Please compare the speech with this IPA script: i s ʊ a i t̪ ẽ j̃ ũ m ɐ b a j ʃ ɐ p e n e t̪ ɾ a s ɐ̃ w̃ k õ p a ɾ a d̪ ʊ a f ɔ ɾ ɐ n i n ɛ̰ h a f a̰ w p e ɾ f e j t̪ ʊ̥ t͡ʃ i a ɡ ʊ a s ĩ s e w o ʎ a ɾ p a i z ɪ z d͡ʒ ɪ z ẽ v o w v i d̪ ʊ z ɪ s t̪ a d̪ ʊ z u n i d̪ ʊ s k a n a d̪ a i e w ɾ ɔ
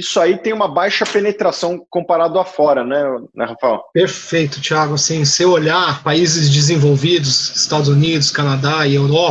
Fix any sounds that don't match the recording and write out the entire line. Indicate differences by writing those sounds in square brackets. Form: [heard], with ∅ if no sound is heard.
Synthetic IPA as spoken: i s ʊ a i t̪ ẽ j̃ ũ m ɐ b a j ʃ ɐ p e n e t̪ ɾ a s ɐ̃ w̃ k õ p a ɾ a d̪ ʊ a f ɔ ɾ ɐ n [ɛ] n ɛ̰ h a f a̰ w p e ɾ f e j t̪ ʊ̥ t͡ʃ i a ɡ ʊ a s ĩ s e w o ʎ a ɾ p a i z ɪ z d͡ʒ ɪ z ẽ v o w v i d̪ ʊ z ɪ s t̪ a d̪ ʊ z u n i d̪ ʊ s k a n a d̪ a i e w ɾ ɔ